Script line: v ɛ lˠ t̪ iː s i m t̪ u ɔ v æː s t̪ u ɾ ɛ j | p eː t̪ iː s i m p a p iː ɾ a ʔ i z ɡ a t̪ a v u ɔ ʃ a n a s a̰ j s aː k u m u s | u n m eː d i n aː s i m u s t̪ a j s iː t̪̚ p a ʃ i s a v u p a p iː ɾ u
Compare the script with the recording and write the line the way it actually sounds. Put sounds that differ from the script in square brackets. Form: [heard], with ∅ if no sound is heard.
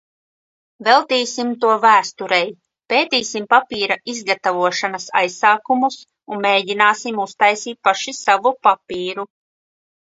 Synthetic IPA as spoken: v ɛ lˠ t̪ iː s i m t̪ u ɔ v æː s t̪ u ɾ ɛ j | p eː t̪ iː s i m p a p iː ɾ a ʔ i z ɡ a t̪ a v u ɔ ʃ a n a s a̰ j s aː k u m u s | u n m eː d i n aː s i m u s t̪ a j s iː t̪̚ p a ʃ i s a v u p a p iː ɾ u